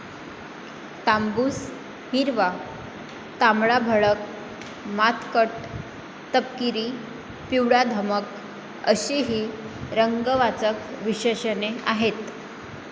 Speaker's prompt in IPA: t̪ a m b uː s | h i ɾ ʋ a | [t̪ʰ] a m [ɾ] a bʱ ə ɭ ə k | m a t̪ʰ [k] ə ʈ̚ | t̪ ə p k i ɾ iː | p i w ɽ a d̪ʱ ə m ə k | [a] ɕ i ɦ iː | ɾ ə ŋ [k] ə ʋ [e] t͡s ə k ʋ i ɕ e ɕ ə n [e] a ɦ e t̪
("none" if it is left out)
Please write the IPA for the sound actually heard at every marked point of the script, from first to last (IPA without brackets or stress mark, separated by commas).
t̪, ɭ, k, ə, ɡ, a, e